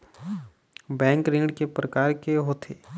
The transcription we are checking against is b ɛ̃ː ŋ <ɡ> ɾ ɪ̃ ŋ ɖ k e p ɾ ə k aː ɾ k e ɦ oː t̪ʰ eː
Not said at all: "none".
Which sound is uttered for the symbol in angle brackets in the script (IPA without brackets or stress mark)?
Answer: k